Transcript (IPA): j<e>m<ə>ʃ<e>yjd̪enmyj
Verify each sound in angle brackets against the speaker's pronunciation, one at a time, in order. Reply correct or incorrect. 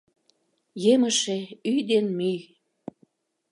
correct, correct, correct

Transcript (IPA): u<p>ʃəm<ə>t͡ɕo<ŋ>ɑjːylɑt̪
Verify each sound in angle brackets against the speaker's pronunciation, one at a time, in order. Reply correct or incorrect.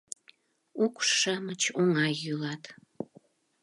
incorrect: k, correct, correct

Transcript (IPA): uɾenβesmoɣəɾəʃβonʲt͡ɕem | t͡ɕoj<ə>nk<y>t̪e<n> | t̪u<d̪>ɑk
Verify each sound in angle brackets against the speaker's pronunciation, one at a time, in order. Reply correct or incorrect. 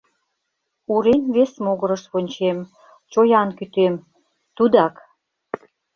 incorrect: ɑ, correct, incorrect: m, correct

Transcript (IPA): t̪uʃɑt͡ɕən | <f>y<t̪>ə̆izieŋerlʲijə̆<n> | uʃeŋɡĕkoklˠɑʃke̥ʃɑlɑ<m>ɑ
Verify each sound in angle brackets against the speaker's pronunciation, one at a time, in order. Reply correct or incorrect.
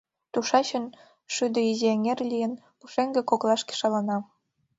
incorrect: ʃ, incorrect: d̪, correct, incorrect: n

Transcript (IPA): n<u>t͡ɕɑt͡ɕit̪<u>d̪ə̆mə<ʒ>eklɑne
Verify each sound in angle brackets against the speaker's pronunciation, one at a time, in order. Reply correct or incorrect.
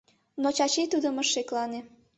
incorrect: o, correct, incorrect: ʃ

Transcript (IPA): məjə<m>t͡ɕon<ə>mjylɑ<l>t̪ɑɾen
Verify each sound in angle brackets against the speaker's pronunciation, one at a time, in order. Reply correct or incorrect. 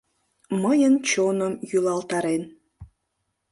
incorrect: n, correct, correct

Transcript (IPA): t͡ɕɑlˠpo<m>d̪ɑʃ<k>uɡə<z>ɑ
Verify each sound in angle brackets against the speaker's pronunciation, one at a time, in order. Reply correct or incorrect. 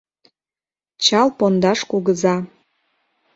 incorrect: n, correct, correct

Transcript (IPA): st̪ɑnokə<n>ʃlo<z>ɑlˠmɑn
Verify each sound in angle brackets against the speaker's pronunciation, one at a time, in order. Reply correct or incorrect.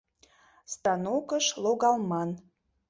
incorrect: none, incorrect: ɣ

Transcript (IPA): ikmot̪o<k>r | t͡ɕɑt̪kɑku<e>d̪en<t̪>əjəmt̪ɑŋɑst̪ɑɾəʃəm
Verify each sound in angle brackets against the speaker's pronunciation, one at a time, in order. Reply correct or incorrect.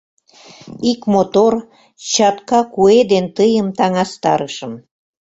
incorrect: none, correct, correct

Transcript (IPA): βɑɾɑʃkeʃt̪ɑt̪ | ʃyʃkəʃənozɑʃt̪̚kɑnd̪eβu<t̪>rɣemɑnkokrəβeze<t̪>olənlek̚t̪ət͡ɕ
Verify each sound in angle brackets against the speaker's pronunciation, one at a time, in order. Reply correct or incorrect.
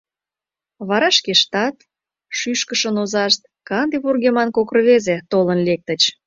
incorrect: none, correct

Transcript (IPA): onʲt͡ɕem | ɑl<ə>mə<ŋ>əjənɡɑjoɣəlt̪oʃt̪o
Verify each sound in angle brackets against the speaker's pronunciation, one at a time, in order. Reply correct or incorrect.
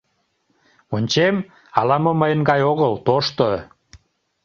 incorrect: ɑ, incorrect: m

